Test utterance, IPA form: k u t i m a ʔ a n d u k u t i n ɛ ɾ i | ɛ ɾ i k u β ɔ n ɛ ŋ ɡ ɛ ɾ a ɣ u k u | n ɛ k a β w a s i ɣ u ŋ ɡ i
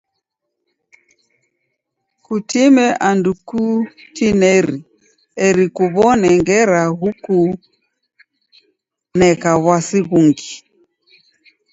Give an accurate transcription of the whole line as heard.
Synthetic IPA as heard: k u t i m ɛ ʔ a n d u k u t i n ɛ ɾ i | ɛ ɾ i k u β ɔ n ɛ ŋ ɡ ɛ ɾ a ɣ u k u | n ɛ k a β w a s i ɣ u ŋ ɡ i